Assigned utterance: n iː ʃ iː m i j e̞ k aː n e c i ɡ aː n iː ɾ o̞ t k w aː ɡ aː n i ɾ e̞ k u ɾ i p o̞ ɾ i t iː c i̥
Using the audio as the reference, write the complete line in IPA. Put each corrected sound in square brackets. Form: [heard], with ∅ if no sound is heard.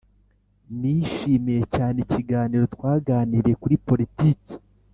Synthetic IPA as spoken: n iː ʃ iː m i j e̞ [c] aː n e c i ɡ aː n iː ɾ o̞ t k w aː ɡ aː n i ɾ e̞ k u ɾ i p o̞ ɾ i t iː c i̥